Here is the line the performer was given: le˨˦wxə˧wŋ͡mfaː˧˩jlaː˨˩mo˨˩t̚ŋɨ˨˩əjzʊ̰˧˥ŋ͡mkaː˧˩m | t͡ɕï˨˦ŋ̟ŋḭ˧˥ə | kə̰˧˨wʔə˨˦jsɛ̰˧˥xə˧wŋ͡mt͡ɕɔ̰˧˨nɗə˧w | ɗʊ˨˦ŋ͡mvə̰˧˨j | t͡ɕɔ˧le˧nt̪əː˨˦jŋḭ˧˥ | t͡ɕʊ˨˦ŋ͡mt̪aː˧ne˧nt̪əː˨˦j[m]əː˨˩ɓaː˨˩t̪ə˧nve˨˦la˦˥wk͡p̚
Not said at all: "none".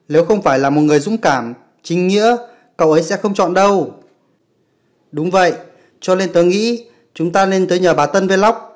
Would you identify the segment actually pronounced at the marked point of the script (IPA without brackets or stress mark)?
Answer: ɲ